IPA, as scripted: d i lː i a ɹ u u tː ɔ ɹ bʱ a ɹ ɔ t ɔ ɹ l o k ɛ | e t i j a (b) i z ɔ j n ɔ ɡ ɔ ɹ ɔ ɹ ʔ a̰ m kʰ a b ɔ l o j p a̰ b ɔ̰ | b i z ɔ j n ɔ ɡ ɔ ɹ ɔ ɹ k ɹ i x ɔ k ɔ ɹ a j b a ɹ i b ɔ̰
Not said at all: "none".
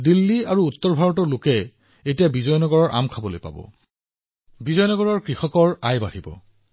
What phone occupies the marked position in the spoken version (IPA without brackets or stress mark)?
b